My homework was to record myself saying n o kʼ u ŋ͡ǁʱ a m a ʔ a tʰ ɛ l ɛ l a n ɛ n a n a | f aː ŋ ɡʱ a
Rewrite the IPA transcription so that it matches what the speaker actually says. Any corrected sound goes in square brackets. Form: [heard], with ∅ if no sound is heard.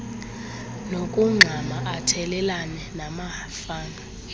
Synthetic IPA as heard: n o kʼ u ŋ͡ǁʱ a m a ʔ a tʰ ɛ l ɛ l a n ɛ n a [m] a | f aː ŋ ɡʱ a